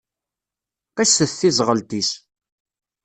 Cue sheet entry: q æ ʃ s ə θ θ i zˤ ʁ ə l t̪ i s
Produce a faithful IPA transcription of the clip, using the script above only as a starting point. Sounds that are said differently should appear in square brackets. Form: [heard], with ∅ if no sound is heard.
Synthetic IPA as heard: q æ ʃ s ə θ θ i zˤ ʁ ə l t̪ i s